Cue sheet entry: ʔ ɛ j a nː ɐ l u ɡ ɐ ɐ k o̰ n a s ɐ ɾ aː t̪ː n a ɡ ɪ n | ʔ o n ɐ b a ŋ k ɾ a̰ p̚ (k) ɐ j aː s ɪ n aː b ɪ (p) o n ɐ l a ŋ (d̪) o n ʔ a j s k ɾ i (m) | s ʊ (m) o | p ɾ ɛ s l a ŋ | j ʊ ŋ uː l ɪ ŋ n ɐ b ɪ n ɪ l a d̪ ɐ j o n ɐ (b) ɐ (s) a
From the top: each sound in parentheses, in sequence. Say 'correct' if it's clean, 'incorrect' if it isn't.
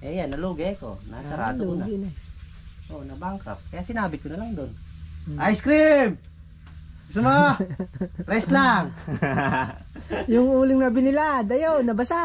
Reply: correct, incorrect: k, correct, correct, correct, correct, correct

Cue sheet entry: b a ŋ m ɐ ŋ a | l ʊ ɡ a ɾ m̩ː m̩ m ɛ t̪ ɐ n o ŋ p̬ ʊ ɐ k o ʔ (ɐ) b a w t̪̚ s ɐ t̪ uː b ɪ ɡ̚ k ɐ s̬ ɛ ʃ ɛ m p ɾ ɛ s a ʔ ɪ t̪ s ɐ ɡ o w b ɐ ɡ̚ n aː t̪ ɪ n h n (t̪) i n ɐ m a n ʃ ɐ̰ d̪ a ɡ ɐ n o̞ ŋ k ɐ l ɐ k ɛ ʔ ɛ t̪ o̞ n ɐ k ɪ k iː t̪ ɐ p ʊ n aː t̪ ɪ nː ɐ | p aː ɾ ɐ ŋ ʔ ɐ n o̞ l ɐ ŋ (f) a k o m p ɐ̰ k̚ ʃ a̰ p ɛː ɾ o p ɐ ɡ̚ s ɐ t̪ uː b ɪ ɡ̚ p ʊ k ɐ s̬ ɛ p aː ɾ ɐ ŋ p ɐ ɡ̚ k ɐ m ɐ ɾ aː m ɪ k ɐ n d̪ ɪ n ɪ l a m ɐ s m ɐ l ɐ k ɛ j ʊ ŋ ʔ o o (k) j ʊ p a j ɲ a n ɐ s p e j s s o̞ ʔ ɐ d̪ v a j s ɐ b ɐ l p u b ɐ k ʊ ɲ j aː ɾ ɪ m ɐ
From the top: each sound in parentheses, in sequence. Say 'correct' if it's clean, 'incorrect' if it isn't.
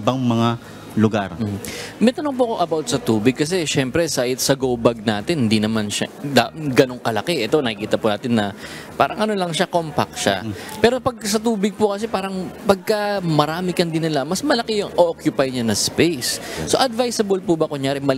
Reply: correct, incorrect: d̪, incorrect: ʃ, correct

